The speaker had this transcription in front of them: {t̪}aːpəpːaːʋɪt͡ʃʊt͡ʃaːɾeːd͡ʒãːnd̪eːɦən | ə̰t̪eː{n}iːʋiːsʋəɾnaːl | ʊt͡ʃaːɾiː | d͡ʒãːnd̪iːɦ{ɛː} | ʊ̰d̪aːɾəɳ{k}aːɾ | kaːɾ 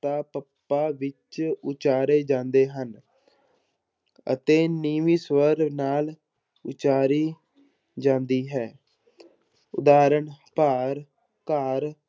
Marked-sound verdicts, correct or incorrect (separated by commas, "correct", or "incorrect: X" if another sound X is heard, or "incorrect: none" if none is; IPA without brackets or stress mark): correct, correct, correct, incorrect: p